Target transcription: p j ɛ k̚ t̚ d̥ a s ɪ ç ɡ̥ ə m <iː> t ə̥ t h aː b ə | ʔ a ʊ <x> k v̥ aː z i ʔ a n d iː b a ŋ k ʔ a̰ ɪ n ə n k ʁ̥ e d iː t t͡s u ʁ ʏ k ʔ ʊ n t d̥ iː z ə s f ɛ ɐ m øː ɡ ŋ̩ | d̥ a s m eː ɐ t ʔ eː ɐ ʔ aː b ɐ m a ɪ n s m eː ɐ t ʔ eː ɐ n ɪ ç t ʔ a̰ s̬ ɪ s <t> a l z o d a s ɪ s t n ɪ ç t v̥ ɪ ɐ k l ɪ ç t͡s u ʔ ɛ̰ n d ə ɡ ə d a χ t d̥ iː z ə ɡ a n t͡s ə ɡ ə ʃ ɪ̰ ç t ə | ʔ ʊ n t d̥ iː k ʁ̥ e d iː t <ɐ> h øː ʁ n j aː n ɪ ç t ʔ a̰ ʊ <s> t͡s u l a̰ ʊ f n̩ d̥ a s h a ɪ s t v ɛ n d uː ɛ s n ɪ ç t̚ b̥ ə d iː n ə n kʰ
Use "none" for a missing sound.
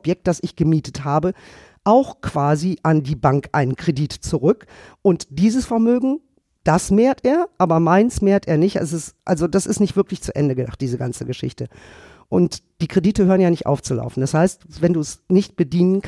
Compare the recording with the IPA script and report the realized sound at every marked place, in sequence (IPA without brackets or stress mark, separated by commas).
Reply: iː, x, ʔ, ə, f